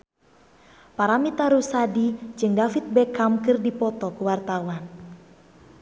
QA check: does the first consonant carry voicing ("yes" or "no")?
no